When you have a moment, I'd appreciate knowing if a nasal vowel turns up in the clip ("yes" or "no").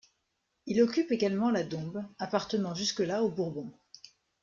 yes